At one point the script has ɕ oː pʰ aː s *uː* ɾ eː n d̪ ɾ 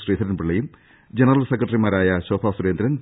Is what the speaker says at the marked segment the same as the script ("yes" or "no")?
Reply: no